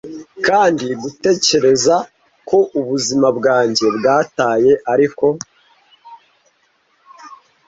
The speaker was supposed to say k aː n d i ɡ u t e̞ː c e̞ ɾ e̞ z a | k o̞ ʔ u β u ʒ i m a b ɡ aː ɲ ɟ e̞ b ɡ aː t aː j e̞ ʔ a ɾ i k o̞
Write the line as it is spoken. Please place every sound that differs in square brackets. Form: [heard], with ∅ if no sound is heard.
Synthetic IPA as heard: k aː n d i ɡ u t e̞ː c e̞ ɾ e̞ z a | k o̞ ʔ u β u [z] i m a b ɡ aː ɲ ɟ e̞ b ɡ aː t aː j e̞ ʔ a ɾ i k o̞